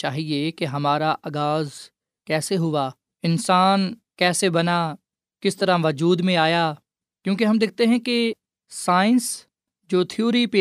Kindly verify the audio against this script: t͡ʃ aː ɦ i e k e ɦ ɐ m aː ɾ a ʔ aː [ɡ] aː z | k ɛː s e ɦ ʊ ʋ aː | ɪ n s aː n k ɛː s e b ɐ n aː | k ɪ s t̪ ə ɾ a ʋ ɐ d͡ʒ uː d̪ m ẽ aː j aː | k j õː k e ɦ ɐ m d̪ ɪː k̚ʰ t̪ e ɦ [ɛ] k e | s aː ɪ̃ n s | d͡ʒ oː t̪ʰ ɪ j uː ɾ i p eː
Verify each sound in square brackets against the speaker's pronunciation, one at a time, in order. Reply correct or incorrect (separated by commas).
correct, incorrect